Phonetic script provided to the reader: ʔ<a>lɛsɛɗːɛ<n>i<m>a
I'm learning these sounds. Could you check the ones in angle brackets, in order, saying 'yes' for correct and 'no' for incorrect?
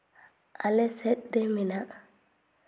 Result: yes, no, no

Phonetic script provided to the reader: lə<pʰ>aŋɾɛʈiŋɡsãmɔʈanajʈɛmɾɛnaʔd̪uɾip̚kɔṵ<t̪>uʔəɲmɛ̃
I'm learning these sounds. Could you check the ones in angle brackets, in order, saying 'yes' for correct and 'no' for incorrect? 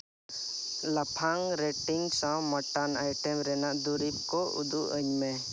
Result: yes, no

